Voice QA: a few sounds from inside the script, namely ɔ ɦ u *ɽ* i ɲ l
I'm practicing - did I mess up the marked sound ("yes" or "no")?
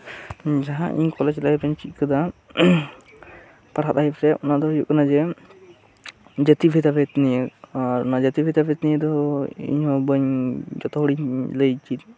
no